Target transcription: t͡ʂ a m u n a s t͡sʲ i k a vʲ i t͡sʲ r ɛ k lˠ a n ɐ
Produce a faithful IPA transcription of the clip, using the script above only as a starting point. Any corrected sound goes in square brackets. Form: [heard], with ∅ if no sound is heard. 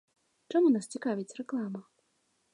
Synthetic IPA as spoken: t͡ʂ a m u n a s t͡sʲ i k a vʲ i t͡sʲ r ɛ k lˠ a [m] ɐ